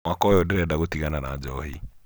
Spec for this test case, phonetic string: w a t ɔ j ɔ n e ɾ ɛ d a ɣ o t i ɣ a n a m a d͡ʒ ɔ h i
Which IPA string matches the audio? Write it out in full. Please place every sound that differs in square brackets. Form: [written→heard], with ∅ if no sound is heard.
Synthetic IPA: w a [t→k] ɔ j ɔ [n→d] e ɾ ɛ d a ɣ o t i ɣ a n a [m→n] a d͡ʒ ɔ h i